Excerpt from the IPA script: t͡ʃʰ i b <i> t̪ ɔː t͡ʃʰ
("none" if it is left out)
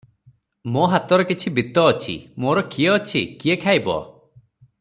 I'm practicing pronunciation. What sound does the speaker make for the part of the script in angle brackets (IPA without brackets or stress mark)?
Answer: i